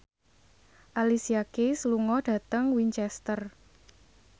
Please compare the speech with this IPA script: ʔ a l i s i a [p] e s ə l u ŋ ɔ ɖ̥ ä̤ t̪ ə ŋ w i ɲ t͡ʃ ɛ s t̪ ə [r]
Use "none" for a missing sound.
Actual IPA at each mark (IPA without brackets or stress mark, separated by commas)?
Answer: k, r